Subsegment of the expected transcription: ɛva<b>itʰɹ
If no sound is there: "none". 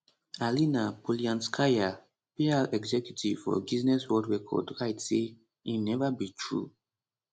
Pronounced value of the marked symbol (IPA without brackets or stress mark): b